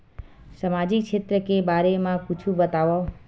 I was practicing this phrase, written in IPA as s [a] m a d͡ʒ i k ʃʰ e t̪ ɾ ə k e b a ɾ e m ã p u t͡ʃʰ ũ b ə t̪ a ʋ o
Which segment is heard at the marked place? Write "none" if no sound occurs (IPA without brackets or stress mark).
ə